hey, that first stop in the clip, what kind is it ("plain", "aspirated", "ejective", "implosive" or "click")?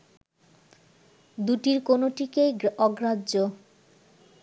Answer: plain